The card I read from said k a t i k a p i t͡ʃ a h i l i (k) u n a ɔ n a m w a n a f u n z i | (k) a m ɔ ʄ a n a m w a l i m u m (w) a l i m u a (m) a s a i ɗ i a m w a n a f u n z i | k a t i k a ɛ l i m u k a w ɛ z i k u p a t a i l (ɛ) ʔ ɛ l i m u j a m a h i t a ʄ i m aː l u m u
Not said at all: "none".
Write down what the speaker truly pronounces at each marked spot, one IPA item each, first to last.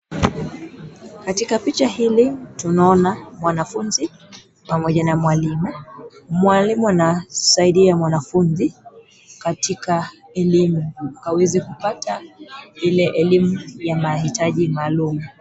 t, p, w, n, ɛ

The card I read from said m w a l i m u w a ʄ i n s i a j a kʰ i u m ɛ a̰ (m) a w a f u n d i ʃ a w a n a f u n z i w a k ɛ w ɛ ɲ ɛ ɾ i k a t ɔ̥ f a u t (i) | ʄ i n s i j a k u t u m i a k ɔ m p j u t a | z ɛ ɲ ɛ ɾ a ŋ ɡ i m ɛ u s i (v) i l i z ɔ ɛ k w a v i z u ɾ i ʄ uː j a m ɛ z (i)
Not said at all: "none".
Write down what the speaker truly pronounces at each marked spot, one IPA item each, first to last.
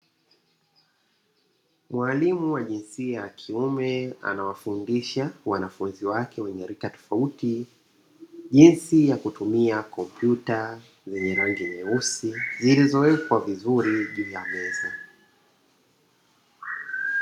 n, i, z, a

